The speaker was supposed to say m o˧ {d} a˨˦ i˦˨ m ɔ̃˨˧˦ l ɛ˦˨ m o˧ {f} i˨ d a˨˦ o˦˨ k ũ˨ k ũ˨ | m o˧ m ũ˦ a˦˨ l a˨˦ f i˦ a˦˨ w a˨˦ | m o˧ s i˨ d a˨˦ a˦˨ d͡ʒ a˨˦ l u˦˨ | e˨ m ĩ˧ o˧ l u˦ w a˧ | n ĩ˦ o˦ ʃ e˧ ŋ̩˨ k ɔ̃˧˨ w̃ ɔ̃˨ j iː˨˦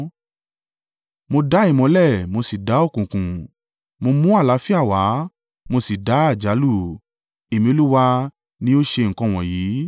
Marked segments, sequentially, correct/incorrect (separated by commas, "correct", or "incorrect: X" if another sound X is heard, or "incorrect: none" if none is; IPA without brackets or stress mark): correct, incorrect: s